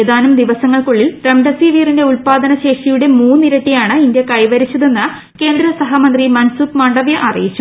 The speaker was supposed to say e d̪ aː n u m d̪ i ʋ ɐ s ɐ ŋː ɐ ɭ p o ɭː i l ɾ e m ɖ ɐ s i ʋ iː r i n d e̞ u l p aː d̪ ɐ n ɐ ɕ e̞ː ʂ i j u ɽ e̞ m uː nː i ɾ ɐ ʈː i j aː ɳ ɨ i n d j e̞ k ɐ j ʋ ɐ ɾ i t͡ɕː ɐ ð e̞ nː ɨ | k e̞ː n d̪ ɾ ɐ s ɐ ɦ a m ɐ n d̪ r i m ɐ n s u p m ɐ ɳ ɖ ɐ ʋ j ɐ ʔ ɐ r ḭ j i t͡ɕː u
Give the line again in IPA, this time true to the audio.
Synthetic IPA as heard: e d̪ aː n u m d̪ i ʋ ɐ s ɐ ŋː ɐ ɭ k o ɭː i l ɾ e m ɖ ɐ s i ʋ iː r i n d e̞ u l p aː d̪ ɐ n ɐ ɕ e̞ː ʂ i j u ɽ e̞ m uː nː i ɾ ɐ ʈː i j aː ɳ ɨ i n d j e̞ k ɐ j ʋ ɐ ɾ i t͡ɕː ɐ ð e̞ nː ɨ | k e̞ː n d̪ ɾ ɐ s ɐ ɦ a m ɐ n d̪ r i m ɐ n s u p m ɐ ɳ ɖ ɐ ʋ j ɐ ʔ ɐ r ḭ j i t͡ɕː u